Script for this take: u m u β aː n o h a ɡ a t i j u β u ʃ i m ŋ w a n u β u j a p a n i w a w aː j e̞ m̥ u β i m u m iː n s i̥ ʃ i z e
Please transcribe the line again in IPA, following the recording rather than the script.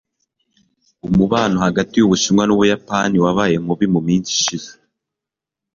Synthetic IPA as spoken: u m u β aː n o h a ɡ a t i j u β u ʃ i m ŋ w a n u β u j a p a n i w a β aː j e̞ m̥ u β i m u m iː n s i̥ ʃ i z e